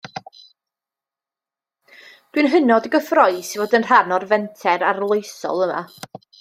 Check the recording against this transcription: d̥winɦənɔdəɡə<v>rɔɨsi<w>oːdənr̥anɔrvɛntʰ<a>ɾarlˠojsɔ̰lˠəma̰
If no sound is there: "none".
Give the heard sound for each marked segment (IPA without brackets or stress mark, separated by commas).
f, v, ɛ